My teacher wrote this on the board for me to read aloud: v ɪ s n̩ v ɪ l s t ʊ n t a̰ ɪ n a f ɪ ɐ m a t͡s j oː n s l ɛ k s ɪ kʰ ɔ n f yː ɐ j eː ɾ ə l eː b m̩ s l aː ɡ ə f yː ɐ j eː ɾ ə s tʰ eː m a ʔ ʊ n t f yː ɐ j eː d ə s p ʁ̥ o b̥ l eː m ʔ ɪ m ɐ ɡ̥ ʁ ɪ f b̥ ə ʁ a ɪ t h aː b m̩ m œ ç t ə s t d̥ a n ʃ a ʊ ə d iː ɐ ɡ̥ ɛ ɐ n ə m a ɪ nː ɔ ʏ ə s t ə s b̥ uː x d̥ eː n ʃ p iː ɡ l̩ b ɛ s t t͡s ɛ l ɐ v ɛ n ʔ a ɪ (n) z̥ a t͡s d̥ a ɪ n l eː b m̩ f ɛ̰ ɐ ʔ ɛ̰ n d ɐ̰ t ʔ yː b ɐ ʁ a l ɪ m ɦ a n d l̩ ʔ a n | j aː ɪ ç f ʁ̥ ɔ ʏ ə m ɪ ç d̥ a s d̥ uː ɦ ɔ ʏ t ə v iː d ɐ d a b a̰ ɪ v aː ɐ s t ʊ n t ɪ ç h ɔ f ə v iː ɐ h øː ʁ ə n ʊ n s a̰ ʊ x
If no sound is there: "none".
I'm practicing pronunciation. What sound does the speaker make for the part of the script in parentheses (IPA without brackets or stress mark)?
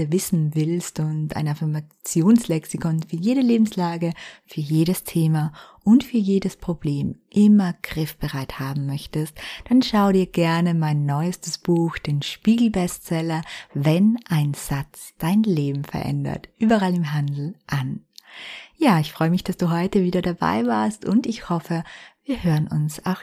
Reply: n